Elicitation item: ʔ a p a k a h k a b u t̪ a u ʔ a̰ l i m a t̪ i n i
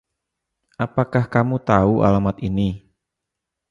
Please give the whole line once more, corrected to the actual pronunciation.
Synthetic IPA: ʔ a p a k a h k a m u t̪ a u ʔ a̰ l a m a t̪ i n i